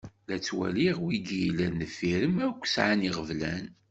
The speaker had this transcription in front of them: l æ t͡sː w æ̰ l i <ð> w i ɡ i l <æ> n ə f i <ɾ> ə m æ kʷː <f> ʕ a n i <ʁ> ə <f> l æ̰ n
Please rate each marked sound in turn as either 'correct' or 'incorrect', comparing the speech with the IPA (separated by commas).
incorrect, correct, correct, incorrect, correct, incorrect